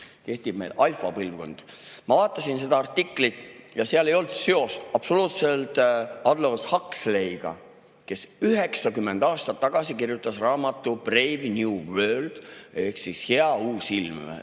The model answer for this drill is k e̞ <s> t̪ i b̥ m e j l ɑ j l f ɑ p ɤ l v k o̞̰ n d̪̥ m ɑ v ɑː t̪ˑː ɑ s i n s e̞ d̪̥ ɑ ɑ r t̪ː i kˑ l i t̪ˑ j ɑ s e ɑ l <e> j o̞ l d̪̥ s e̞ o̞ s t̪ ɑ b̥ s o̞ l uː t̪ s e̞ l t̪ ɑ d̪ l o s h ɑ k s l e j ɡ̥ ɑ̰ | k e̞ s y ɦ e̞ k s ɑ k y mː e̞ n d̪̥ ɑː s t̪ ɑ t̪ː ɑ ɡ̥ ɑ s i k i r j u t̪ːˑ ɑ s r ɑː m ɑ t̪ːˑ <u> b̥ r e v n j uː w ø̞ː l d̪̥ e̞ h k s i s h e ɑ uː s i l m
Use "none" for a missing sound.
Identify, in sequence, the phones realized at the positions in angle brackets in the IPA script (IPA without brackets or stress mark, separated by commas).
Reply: h, e, u